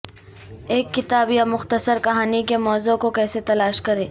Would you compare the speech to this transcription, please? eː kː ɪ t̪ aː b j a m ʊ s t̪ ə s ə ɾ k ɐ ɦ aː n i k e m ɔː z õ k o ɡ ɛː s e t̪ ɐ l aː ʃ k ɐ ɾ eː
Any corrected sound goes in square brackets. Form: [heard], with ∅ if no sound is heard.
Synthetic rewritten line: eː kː ɪ t̪ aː b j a m ʊ [x] t̪ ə s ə ɾ k ɐ ɦ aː n i k e m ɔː z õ k o [k] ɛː s e t̪ ɐ l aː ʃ k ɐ ɾ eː